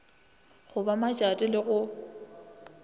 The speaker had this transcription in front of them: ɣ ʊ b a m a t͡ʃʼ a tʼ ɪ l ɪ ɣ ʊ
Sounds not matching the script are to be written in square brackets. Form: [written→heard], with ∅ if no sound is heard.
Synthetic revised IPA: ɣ ʊ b a m a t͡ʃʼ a tʼ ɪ l ɪ ɣ ʊ